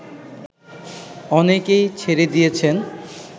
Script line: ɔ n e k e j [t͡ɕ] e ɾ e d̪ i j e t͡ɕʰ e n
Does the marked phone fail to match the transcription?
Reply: yes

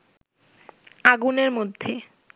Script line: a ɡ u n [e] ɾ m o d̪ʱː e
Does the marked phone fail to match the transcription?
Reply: no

